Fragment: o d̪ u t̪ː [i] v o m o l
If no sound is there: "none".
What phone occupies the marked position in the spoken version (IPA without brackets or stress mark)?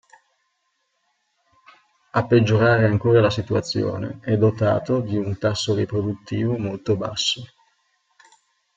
iː